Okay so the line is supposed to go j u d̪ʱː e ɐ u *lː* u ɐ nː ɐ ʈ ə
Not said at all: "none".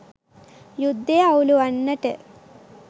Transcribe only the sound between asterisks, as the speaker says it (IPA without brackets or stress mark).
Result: l